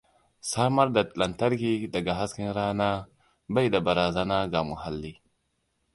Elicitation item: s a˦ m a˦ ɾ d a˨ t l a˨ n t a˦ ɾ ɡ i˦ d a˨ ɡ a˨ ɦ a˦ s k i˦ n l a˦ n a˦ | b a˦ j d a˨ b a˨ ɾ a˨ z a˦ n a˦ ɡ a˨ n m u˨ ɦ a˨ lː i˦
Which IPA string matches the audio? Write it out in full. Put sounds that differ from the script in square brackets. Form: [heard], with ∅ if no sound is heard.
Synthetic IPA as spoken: s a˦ m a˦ ɾ d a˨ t l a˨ n t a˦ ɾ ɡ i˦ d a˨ ɡ a˨ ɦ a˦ s k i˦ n [ɾ] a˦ n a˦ | b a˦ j d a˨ b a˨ ɾ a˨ z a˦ n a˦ ɡ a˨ [∅] m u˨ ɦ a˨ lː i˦